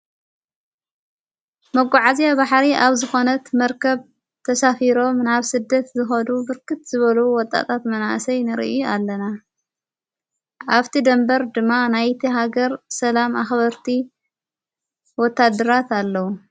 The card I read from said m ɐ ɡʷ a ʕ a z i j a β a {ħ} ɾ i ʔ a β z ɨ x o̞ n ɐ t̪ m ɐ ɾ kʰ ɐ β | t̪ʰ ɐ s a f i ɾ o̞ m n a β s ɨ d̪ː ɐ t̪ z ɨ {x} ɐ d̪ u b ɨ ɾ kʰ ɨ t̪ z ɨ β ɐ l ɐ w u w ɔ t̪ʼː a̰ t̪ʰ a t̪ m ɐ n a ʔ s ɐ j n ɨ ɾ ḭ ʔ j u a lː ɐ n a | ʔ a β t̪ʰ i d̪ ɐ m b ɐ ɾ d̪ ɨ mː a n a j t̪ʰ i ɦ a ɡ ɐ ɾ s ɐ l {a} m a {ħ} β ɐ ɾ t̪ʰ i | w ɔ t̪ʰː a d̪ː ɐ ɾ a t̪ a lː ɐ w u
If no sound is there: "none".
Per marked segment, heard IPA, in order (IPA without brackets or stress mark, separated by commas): ħ, x, a, x